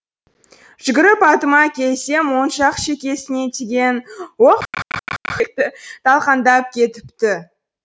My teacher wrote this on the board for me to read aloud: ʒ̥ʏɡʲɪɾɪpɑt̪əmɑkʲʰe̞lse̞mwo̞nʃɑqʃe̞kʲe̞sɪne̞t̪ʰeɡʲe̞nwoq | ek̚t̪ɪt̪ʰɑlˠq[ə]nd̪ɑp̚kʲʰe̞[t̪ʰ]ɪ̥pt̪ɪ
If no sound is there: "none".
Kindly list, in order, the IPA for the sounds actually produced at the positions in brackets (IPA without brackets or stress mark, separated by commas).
ɑ, t̪